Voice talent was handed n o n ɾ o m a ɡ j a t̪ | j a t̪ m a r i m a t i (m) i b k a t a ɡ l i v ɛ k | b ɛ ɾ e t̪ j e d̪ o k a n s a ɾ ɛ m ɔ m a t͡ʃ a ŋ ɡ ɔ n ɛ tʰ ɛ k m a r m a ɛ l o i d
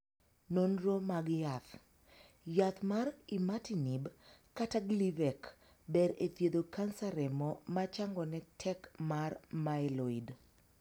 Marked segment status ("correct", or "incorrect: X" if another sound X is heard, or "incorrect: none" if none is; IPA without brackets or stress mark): incorrect: n